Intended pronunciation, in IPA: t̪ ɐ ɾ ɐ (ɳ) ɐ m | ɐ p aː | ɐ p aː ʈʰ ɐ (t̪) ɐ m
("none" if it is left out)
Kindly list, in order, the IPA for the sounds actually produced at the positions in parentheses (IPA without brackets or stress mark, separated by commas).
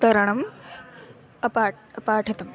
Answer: ɳ, t̪